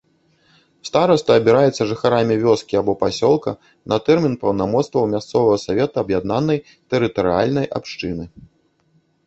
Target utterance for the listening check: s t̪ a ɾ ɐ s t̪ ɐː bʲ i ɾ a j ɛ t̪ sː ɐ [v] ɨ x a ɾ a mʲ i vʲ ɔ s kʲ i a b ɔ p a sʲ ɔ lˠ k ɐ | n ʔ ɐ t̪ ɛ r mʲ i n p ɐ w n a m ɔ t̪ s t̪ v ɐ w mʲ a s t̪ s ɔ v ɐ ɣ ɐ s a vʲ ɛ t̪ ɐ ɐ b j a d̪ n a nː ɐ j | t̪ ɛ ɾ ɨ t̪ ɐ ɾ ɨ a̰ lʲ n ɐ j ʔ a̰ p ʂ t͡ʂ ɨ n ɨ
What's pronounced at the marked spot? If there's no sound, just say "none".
ʐ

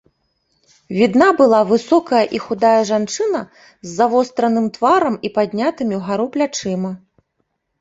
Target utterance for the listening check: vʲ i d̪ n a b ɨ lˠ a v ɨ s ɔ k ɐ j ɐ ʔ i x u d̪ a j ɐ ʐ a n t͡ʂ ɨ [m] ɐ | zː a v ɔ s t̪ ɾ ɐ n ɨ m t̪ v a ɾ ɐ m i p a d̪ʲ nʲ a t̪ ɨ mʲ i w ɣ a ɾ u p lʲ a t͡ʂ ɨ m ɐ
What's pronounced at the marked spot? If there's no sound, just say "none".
n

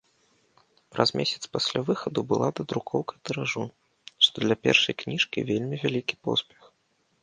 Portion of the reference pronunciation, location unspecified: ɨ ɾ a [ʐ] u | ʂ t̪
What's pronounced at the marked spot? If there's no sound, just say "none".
ʐ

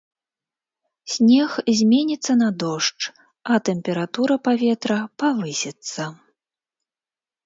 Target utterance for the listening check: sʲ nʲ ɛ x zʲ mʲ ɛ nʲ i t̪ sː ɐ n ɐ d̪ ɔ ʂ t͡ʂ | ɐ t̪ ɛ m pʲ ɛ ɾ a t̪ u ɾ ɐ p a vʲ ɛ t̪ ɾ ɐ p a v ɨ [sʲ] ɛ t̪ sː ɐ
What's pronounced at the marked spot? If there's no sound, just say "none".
sʲ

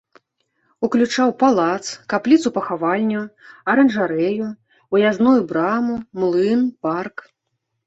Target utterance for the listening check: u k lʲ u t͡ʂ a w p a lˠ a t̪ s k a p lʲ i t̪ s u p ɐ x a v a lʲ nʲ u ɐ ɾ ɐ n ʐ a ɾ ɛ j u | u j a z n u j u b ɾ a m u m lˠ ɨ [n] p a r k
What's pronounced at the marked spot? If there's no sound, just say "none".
n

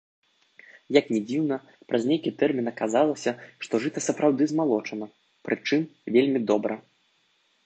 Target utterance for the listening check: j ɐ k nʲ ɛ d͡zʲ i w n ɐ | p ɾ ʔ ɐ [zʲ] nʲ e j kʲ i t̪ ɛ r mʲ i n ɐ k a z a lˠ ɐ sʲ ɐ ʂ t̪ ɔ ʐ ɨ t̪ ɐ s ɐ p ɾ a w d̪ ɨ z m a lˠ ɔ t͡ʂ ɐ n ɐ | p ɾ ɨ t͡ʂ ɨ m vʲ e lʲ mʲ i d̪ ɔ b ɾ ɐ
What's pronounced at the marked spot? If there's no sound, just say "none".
zʲ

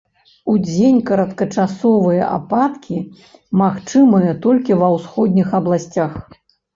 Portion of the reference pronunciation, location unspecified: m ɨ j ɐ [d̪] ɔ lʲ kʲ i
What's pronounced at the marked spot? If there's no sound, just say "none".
t̪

